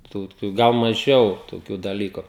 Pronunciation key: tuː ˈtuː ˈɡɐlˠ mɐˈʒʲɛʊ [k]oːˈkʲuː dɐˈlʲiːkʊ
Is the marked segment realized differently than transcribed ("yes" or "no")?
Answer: yes